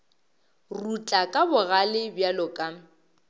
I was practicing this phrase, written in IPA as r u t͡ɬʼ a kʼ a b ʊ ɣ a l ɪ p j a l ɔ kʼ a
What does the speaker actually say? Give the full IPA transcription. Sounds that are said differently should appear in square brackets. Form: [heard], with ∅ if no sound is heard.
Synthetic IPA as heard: r u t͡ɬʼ a kʼ a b ʊ ɣ a l ɪ [b] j a l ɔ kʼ a